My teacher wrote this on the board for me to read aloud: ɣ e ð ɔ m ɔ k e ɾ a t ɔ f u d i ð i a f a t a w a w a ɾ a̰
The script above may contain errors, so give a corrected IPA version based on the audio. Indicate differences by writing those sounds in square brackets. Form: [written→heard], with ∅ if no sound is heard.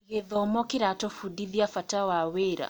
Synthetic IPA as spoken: ɣ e ð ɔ m ɔ k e ɾ a t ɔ f u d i ð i a f a t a w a w [a→e] ɾ a̰